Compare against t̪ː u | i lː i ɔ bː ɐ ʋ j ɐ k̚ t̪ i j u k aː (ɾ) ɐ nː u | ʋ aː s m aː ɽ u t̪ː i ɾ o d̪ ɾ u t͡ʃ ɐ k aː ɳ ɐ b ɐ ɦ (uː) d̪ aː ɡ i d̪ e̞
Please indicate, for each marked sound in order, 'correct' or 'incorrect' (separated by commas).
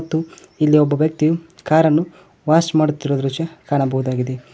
correct, incorrect